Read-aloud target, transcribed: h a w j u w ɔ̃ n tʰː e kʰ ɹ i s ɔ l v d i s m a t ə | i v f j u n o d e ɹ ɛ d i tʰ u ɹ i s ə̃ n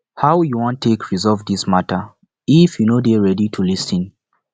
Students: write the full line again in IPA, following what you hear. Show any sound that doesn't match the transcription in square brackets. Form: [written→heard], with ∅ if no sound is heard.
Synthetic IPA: h a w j u w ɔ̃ n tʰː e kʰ ɹ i [s→z] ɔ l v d i s m a t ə | i [v→∅] f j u n o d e ɹ ɛ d i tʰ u [ɹ→l] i s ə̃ n